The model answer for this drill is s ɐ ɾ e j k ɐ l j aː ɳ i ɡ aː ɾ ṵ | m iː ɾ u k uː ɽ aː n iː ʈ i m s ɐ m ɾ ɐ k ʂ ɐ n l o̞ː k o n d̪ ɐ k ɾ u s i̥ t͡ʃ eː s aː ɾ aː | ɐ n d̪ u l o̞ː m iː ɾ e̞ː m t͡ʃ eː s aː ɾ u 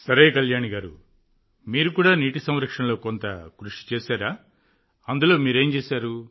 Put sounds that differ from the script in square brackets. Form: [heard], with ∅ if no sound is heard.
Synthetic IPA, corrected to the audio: s ɐ ɾ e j k ɐ l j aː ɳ i ɡ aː ɾ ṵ | m iː ɾ u k uː ɽ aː n iː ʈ i [∅] s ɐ m ɾ ɐ k ʂ ɐ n l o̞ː k o n [t̪] ɐ k ɾ u [ʂ] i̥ t͡ʃ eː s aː ɾ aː | ɐ n d̪ u l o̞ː m iː ɾ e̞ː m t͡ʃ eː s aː ɾ u

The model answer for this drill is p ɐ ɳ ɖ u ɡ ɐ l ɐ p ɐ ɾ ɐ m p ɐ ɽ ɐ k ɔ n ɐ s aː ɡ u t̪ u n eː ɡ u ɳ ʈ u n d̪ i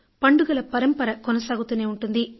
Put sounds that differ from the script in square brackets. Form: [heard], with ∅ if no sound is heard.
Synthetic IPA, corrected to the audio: p ɐ ɳ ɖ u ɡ ɐ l ɐ p ɐ ɾ ɐ m p ɐ [ɾ] ɐ k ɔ n ɐ s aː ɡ u t̪ u n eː [∅] u ɳ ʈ u n d̪ i

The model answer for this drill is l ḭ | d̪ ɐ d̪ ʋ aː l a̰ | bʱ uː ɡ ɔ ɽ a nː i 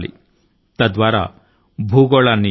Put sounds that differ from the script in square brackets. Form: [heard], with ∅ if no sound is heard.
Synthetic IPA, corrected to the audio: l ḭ | [t̪] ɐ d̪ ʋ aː [ɾ] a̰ | bʱ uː ɡ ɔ [ɭ] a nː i

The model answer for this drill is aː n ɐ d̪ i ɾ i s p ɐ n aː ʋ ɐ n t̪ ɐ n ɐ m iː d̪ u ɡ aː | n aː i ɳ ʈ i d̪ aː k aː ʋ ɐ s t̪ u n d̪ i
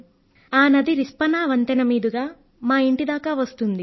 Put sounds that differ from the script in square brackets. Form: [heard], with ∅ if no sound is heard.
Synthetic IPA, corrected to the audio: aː n ɐ d̪ i ɾ i s p ɐ n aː ʋ ɐ n t̪ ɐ n ɐ m iː d̪ u ɡ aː | [m] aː i ɳ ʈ i d̪ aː k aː ʋ ɐ s t̪ u n d̪ i

